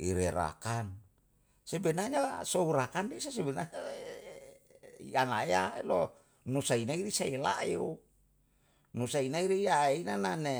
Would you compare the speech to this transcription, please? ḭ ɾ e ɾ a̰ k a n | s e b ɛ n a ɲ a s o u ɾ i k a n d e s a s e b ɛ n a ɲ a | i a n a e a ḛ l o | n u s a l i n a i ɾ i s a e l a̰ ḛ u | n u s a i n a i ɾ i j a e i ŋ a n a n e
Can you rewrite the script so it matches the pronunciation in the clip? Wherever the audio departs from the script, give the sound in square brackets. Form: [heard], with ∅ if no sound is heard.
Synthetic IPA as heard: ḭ ɾ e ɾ a̰ k a n | s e b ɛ n a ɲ a s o u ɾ [a] k a n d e s a s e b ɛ n a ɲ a | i a n a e a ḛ l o | n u s a [∅] i n a i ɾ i s a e l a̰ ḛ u | n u s a i n a i ɾ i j a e i [n] a n a n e